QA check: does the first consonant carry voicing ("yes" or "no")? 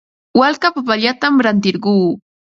yes